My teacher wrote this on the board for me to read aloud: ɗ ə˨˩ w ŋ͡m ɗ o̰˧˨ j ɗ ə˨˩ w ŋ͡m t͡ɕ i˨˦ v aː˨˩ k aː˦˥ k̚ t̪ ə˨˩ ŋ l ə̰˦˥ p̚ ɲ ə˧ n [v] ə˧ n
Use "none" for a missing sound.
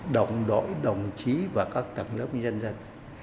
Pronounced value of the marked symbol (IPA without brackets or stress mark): z